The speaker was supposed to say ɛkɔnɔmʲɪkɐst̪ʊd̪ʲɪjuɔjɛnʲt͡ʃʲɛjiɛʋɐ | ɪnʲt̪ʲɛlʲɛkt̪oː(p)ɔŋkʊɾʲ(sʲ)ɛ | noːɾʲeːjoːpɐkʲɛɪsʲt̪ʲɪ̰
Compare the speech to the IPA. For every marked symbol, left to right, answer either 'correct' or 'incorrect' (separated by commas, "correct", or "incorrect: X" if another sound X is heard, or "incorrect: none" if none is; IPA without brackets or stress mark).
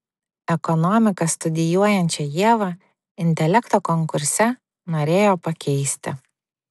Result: incorrect: k, correct